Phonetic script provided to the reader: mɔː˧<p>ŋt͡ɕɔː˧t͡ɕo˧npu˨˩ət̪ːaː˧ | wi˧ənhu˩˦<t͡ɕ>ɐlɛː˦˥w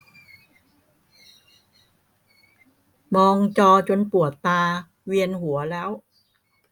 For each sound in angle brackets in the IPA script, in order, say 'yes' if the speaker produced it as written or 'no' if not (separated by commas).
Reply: no, no